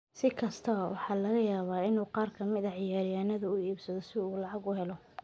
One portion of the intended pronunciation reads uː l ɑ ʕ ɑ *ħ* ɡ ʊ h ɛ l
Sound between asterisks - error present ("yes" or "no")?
yes